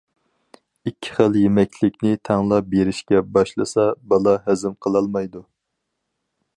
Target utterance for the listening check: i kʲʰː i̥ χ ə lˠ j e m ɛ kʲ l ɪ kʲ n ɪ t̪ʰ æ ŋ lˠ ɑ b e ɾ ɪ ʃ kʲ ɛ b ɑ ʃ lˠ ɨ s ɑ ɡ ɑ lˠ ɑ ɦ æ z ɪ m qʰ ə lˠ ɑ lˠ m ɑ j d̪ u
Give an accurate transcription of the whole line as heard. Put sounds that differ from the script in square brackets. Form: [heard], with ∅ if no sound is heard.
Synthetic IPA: i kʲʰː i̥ χ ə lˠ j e m ɛ kʲ l ɪ kʲ n ɪ t̪ʰ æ ŋ lˠ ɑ b e ɾ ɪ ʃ kʲ ɛ b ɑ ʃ lˠ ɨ s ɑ [b] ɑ lˠ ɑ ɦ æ z ɪ m qʰ ə lˠ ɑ lˠ m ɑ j d̪ u